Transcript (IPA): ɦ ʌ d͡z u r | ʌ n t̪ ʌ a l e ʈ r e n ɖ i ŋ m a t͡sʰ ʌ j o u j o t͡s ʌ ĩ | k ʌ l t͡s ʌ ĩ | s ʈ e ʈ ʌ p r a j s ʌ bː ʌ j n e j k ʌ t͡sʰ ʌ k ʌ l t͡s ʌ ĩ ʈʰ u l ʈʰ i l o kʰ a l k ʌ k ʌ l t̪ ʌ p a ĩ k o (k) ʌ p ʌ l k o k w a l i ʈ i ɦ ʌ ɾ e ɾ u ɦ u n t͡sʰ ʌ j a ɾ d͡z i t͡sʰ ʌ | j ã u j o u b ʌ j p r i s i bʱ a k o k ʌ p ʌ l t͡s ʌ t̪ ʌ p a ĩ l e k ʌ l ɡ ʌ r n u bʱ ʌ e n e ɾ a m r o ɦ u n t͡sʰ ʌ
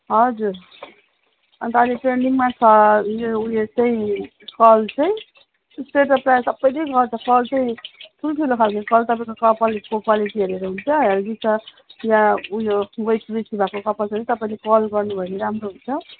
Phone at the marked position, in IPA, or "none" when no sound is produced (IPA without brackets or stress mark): k